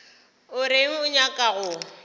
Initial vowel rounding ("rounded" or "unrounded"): rounded